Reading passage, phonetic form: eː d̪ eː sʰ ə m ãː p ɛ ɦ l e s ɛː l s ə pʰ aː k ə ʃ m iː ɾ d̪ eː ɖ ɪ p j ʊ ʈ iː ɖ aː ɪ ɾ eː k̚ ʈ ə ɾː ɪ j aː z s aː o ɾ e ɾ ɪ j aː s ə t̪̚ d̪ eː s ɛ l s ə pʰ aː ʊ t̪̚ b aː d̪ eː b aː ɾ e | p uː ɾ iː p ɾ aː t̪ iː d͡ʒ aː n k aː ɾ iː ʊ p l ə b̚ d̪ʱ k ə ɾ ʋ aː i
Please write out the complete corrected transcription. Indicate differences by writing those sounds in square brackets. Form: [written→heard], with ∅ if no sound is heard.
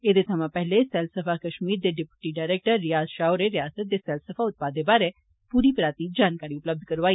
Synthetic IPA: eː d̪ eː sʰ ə m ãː p ɛ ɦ l e s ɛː l s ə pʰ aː k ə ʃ m iː ɾ d̪ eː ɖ ɪ p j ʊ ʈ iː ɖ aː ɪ ɾ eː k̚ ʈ ə ɾː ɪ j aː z [s→ʃ] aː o ɾ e ɾ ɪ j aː s ə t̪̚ d̪ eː s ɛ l s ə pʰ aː ʊ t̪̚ [b→p] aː d̪ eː b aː ɾ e | p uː ɾ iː p ɾ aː t̪ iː d͡ʒ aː n k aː ɾ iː ʊ p l ə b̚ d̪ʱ k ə ɾ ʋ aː i